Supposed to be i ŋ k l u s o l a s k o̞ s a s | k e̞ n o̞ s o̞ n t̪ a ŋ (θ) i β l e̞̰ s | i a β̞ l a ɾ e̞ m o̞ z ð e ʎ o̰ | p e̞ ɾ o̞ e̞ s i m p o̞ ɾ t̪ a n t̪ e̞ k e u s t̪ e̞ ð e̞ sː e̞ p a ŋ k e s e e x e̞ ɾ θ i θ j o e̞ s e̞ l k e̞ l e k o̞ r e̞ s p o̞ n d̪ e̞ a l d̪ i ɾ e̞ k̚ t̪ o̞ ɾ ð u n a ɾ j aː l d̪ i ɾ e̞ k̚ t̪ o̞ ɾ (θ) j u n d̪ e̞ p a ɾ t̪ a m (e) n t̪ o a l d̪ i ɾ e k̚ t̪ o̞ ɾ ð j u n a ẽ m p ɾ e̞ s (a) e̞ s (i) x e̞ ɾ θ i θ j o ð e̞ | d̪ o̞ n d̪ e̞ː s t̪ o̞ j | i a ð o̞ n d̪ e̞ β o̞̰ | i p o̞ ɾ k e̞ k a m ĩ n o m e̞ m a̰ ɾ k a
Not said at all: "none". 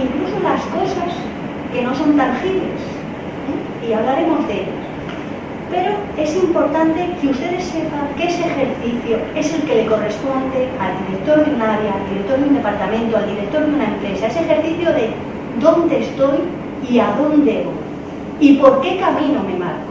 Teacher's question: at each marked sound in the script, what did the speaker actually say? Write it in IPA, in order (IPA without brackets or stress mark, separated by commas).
x, ð, ẽ, a, e